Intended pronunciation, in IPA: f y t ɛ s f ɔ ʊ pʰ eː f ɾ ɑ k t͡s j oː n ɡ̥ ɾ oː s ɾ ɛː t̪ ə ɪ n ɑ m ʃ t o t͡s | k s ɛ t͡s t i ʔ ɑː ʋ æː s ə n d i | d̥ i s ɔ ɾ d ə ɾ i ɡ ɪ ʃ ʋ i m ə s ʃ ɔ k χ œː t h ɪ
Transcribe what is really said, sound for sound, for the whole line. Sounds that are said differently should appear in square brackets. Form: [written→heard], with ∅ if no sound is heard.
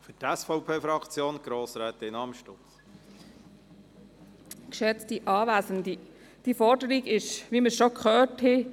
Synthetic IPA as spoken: f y t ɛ s f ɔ ʊ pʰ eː f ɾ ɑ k t͡s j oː n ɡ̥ ɾ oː s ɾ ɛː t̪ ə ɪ n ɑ m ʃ t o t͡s | k [s→ʃ] ɛ t͡s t i ʔ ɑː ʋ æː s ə n d i | d̥ i [s→f] ɔ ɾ d ə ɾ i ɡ ɪ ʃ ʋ i m ə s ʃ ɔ k χ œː t h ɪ

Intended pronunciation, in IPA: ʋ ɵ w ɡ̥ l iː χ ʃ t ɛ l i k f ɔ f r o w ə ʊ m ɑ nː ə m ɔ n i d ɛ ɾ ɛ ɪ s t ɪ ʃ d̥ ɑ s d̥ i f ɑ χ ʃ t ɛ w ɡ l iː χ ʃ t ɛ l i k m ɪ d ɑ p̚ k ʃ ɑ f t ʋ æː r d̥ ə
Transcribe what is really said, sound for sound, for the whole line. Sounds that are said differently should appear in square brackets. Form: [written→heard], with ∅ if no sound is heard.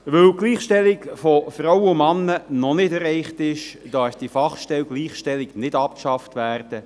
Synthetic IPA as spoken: ʋ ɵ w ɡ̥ l iː χ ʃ t ɛ l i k f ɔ f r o w ə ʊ m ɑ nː ə [m→n] ɔ n [i→ɪ] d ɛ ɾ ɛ ɪ [s→χ] t ɪ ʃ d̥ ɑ s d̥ i f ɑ χ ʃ t ɛ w ɡ l iː χ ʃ t ɛ l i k [m→n] ɪ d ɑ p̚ k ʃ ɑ f t ʋ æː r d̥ ə

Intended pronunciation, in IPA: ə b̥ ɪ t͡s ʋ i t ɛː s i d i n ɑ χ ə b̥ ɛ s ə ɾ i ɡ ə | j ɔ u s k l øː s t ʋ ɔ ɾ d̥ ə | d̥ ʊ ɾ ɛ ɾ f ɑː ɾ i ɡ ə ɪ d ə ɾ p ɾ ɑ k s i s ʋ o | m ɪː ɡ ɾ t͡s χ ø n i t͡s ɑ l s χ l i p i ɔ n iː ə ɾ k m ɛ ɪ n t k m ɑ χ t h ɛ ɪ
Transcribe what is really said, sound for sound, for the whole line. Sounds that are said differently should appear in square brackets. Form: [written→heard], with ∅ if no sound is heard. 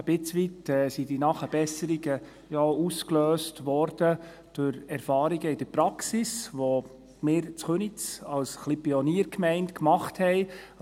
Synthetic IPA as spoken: ə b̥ ɪ t͡s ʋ i t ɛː s i d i n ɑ χ ə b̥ ɛ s ə ɾ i ɡ ə | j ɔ u s k l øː s t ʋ ɔ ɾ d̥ ə | d̥ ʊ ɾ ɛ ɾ f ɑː ɾ i ɡ ə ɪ d ə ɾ p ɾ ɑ k s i s ʋ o | m ɪː [ɡ→∅] ɾ t͡s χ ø n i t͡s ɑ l s χ l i p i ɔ n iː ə ɾ k m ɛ ɪ n t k m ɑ χ t h ɛ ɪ

